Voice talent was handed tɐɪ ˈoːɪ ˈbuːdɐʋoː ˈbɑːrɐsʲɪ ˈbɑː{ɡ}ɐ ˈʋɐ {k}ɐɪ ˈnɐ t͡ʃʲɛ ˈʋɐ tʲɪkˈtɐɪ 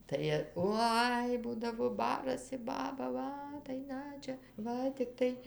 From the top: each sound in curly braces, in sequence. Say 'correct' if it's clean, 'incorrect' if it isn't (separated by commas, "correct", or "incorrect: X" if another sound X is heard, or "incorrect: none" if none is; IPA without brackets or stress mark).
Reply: incorrect: b, incorrect: t